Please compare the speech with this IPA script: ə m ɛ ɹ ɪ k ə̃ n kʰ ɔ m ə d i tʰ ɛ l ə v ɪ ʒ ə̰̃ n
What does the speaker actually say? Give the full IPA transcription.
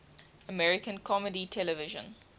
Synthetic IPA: ə m ɛ ɹ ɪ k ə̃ n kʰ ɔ m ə d i tʰ ɛ l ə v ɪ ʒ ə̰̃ n